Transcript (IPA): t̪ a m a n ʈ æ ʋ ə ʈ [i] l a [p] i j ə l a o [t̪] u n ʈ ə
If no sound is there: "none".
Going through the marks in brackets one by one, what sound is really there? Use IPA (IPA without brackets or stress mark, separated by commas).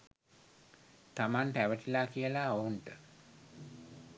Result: i, k, none